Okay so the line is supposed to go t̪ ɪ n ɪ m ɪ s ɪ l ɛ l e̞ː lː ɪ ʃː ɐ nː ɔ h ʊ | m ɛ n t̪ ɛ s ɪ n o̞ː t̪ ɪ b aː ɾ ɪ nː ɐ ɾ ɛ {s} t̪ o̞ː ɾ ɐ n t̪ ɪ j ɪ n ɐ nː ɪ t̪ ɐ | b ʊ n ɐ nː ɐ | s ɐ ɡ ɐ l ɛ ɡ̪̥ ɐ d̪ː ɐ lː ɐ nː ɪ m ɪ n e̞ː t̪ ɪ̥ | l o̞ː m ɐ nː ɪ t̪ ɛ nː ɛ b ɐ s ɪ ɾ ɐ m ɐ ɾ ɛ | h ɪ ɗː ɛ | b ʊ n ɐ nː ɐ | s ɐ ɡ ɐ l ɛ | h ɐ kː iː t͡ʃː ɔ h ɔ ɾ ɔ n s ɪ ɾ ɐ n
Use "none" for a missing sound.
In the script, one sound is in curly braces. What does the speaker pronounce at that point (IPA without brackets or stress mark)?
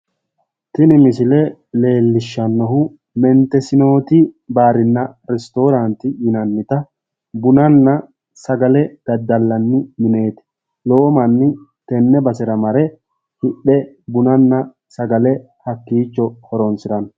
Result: s